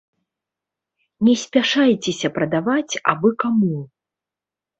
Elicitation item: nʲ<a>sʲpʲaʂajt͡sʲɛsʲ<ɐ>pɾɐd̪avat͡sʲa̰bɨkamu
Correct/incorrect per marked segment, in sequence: incorrect: ɛ, correct

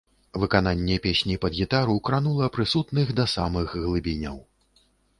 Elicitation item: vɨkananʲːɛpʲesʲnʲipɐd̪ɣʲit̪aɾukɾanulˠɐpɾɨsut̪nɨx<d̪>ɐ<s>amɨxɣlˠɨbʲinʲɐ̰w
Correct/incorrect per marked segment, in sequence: correct, correct

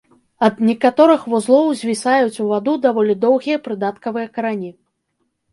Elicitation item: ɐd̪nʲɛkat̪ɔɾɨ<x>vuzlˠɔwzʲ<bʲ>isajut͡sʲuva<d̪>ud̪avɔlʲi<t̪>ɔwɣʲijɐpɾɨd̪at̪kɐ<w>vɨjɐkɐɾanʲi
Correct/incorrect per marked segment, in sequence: correct, incorrect: vʲ, correct, incorrect: d̪, incorrect: none

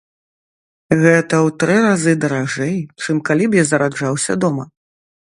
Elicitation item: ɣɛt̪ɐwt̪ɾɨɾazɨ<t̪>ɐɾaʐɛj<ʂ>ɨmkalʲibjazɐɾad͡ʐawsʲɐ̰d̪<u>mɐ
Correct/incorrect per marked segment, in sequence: incorrect: d̪, incorrect: t͡ʂ, incorrect: ɔ

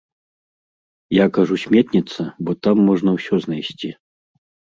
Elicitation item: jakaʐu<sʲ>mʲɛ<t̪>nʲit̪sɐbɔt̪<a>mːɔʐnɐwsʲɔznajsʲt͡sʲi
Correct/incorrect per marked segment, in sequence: correct, correct, correct

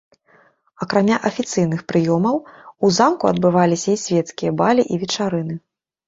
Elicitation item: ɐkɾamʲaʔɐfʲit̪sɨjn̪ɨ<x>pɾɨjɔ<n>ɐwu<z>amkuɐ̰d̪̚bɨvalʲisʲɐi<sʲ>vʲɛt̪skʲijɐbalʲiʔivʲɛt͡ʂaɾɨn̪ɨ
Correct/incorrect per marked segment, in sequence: correct, incorrect: m, correct, correct

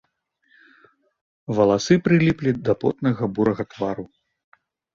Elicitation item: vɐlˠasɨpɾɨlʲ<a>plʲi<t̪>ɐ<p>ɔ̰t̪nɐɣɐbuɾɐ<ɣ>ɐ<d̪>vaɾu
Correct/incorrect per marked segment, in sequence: incorrect: i, incorrect: d̪, correct, correct, incorrect: t̪

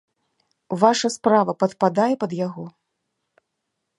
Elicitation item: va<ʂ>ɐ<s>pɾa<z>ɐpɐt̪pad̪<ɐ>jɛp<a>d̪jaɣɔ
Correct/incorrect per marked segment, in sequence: correct, correct, incorrect: v, incorrect: a, incorrect: ɐ

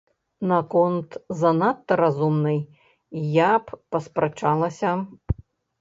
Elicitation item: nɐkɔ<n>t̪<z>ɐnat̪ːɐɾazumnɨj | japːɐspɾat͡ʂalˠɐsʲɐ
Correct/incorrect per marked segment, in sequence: correct, correct

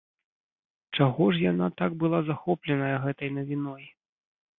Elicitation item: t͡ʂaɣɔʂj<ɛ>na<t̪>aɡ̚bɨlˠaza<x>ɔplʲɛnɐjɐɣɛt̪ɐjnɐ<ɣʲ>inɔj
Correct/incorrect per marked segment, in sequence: incorrect: a, correct, correct, incorrect: vʲ

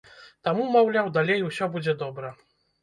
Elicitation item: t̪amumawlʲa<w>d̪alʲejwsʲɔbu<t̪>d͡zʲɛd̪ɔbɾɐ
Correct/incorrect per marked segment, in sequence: correct, incorrect: none

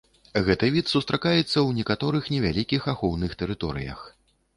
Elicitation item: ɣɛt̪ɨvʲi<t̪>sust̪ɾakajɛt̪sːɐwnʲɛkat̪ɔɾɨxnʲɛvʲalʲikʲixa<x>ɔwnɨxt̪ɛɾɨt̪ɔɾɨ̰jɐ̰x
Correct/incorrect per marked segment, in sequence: correct, correct

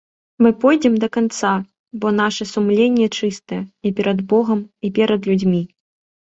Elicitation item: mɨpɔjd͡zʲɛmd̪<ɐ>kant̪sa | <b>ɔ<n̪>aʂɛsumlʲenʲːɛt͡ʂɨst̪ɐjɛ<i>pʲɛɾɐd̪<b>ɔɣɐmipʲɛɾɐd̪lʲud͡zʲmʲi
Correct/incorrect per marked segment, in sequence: correct, correct, correct, correct, correct

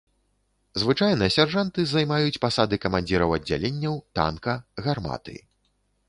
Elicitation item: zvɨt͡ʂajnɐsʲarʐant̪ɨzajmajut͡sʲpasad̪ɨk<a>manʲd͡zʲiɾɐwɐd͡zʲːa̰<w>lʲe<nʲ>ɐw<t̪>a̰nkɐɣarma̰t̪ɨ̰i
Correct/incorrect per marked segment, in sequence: incorrect: ɐ, incorrect: none, incorrect: nʲː, correct

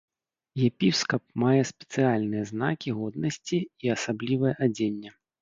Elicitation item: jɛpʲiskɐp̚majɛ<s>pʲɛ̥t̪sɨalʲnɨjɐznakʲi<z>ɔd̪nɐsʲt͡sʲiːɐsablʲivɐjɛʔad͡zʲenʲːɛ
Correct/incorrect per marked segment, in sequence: correct, incorrect: ɣ

